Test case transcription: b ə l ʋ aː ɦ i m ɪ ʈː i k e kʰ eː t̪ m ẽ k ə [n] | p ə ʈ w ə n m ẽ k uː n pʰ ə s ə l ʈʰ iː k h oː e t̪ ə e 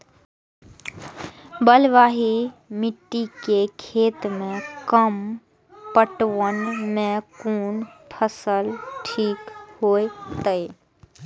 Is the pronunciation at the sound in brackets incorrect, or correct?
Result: incorrect: m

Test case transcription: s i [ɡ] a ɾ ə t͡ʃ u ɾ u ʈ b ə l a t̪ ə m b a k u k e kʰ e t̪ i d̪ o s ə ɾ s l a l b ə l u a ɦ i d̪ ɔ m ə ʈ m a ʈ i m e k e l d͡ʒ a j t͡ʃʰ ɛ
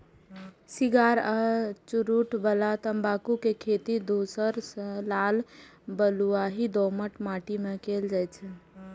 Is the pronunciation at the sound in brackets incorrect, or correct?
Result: correct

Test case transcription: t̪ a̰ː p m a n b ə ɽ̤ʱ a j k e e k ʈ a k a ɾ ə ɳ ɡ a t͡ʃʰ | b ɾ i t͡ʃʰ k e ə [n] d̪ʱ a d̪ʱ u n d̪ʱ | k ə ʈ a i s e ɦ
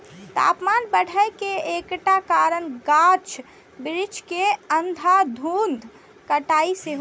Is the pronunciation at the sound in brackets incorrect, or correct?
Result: correct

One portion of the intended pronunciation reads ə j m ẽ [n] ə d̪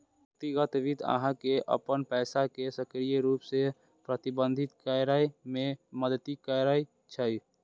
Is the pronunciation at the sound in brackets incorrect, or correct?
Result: incorrect: m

